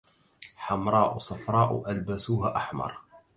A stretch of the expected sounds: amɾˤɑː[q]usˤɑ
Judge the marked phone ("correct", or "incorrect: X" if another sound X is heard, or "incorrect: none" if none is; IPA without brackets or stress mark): incorrect: ʔ